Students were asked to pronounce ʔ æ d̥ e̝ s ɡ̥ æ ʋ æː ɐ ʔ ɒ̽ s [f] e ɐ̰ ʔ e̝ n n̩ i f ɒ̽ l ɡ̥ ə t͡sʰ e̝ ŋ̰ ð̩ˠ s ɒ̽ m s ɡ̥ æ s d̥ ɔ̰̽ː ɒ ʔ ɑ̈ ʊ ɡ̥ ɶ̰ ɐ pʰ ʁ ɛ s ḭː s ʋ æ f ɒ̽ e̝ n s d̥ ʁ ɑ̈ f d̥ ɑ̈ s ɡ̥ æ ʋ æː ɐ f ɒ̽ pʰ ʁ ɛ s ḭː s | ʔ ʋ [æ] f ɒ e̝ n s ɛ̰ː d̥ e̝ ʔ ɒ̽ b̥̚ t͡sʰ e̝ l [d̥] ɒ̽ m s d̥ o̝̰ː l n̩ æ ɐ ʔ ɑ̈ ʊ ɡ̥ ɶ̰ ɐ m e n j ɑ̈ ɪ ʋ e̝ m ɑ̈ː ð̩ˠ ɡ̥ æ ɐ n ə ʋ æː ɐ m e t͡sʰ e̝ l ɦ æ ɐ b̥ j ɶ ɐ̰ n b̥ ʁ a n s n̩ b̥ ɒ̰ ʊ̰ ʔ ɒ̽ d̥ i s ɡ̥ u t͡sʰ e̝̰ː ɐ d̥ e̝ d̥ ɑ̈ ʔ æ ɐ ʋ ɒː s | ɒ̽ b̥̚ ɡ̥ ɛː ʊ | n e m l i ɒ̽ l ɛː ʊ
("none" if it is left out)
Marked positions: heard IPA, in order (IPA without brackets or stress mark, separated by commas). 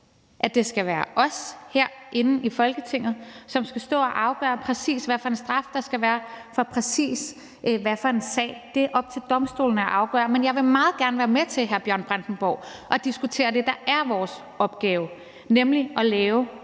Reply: h, æ, d̥